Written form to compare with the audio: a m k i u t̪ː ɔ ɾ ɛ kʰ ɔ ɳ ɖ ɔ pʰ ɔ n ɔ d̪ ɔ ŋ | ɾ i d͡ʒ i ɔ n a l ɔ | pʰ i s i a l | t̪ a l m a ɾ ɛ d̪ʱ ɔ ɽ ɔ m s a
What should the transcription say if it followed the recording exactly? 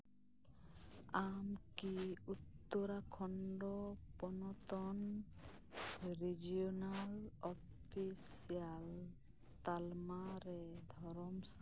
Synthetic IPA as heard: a m k i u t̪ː ɔ ɾ a kʰ ɔ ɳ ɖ ɔ p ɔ n ɔ t̪ ɔ n | ɾ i d͡ʒ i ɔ n a l ɔ | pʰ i s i a l | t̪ a l m a ɾ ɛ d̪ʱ ɔ ɾ ɔ m s a

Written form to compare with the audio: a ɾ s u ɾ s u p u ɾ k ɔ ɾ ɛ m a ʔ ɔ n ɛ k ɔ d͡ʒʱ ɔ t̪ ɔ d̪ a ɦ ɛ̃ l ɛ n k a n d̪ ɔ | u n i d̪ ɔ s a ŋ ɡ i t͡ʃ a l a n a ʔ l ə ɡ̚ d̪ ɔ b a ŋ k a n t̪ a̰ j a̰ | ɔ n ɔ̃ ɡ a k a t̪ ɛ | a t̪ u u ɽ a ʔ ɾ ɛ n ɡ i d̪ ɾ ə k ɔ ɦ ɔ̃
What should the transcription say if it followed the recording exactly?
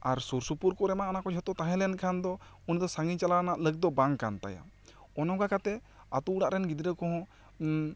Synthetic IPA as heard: a ɾ s u ɾ s u p u ɾ k ɔ ɾ ɛ m a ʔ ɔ n a k ɔ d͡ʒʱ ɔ t̪ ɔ t̪ a ɦ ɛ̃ l ɛ n kʰ a n d̪ ɔ | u n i d̪ ɔ s a ŋ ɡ i t͡ʃ a l a n a ʔ l ə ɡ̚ d̪ ɔ b a ŋ k a n t̪ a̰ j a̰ | ɔ n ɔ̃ ɡ a k a t̪ ɛ | a t̪ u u ɽ a ʔ ɾ ɛ n ɡ i d̪ ɾ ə k ɔ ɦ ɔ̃

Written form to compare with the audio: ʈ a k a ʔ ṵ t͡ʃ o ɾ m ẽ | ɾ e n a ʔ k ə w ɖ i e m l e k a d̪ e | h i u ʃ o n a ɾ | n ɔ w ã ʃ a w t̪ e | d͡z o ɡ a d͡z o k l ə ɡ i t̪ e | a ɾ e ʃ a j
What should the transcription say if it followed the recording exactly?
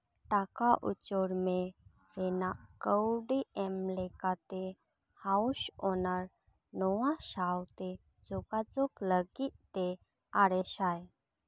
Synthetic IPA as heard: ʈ a k a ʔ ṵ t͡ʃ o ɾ m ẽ | ɾ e n a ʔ k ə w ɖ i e m l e k a t̪ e | h a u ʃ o n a ɾ | n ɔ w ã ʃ a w t̪ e | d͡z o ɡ a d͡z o k l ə ɡ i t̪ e | a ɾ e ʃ a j

